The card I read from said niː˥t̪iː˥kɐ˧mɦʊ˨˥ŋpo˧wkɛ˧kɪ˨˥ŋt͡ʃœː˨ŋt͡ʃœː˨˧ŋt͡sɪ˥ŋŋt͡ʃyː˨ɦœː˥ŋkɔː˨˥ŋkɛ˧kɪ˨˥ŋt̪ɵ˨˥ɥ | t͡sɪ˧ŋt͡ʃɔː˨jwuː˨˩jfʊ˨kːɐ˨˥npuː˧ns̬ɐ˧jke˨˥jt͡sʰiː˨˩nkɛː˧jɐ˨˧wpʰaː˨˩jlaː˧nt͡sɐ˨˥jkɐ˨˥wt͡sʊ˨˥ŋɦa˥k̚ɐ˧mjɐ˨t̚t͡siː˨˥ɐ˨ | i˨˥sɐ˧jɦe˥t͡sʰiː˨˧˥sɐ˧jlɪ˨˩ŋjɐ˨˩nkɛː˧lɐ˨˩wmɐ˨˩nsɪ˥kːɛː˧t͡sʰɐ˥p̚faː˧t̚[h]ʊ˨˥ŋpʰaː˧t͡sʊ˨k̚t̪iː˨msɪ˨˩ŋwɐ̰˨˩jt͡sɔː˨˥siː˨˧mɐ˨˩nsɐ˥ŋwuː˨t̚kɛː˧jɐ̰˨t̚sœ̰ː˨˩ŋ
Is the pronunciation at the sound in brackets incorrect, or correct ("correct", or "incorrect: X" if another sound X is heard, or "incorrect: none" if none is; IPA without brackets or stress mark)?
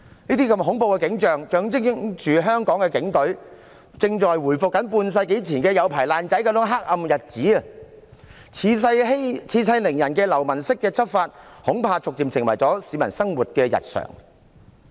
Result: correct